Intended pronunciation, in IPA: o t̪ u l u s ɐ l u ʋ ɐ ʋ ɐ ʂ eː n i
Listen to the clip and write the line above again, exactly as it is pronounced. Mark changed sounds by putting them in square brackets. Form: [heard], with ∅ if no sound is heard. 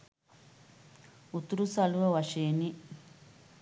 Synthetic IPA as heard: [u] t̪ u [ɾ] u s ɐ l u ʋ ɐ ʋ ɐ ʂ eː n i